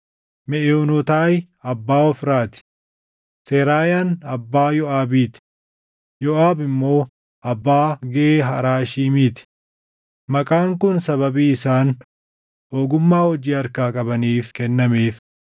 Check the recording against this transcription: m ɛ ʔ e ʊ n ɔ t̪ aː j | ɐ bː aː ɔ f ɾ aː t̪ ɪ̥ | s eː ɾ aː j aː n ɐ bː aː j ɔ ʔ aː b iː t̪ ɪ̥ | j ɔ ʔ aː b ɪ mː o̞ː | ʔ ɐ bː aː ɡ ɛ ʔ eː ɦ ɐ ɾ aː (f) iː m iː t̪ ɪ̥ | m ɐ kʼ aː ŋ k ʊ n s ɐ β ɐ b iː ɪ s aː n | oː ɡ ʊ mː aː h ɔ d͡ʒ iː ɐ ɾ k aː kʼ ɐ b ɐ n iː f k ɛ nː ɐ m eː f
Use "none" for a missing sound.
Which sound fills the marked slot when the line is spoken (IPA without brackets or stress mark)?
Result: ʃ